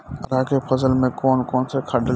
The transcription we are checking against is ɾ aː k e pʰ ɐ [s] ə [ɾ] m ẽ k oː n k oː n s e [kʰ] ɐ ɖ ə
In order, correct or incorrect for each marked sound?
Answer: incorrect, incorrect, correct

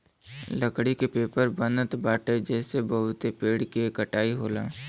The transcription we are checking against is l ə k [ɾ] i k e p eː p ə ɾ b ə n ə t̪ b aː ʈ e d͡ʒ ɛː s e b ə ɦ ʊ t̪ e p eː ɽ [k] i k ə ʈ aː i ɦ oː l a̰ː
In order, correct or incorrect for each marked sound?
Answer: incorrect, correct

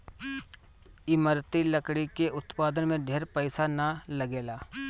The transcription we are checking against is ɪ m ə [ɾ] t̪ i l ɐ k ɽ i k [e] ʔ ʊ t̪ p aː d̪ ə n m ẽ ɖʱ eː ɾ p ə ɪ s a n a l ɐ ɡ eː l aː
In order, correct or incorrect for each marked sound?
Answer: correct, correct

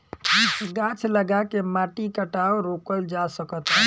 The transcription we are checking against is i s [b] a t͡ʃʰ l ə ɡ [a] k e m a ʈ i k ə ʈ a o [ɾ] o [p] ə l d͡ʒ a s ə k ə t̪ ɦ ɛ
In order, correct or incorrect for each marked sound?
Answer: incorrect, correct, correct, incorrect

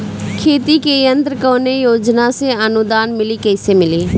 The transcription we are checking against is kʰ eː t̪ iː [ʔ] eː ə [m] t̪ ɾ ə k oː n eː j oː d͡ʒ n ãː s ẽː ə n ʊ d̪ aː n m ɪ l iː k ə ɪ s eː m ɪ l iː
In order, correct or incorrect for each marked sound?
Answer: incorrect, incorrect

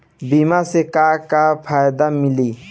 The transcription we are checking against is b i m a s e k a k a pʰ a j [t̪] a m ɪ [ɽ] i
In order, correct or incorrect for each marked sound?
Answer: incorrect, incorrect

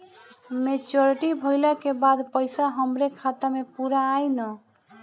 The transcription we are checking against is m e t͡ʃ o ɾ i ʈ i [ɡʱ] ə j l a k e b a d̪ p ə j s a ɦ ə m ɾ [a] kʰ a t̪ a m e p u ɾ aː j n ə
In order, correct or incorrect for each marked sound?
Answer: incorrect, incorrect

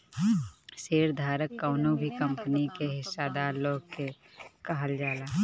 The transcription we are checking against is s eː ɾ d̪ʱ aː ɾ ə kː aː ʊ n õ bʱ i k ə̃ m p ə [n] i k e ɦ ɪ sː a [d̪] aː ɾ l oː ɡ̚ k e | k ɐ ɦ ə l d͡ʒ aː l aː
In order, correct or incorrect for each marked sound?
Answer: correct, correct

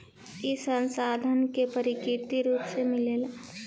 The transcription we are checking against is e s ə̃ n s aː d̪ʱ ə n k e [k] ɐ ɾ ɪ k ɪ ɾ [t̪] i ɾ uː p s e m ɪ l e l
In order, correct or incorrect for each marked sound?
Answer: incorrect, correct

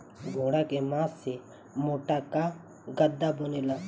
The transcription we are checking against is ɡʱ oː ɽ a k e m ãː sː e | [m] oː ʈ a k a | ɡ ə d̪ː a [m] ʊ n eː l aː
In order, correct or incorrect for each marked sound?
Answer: correct, incorrect

